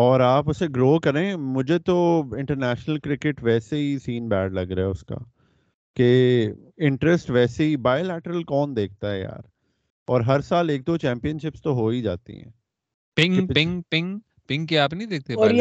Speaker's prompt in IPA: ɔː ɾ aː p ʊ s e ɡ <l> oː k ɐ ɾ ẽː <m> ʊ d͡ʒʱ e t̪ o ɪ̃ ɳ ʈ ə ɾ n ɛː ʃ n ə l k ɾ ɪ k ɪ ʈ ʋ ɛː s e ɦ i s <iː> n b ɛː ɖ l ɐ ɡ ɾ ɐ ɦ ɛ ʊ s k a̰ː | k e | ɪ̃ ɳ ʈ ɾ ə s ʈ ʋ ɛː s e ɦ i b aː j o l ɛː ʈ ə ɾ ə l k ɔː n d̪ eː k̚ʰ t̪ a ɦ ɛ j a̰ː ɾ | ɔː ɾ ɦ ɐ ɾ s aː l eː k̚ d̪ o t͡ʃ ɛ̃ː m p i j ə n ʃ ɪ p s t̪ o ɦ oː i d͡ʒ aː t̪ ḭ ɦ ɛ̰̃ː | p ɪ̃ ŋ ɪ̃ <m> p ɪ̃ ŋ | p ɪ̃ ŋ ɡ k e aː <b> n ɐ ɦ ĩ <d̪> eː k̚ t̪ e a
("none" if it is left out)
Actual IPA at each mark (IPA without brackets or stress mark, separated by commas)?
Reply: ɾ, m, iː, ŋ, p, d̪